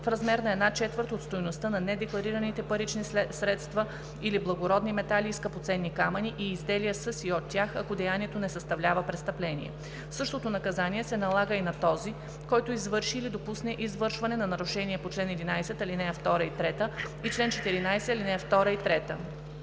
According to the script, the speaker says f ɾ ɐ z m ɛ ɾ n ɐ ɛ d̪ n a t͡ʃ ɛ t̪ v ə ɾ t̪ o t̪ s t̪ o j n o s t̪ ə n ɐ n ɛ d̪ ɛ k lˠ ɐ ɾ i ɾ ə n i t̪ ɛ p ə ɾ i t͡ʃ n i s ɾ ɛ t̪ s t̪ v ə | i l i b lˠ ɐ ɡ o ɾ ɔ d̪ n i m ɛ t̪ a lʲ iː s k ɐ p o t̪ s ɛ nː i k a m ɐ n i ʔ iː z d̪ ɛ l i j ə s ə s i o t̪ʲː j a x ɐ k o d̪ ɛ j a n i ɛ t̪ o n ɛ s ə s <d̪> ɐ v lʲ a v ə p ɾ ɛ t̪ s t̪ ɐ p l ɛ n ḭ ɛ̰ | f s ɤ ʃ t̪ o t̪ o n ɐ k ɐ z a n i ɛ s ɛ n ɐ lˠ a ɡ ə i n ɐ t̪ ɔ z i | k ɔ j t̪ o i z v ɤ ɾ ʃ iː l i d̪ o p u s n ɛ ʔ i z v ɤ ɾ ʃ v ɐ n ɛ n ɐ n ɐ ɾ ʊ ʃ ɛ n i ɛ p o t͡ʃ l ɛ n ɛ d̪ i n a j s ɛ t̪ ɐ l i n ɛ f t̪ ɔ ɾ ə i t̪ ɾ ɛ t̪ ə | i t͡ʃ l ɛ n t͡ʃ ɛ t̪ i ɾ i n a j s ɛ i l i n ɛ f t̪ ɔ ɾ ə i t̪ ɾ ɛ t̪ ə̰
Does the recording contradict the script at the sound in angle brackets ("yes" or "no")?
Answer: yes